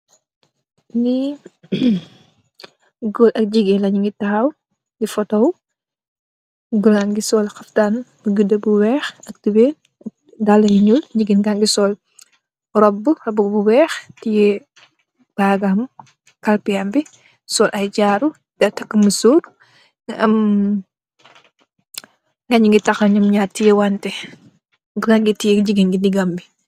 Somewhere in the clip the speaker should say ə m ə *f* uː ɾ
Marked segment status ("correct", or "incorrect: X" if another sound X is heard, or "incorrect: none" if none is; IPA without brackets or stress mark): incorrect: s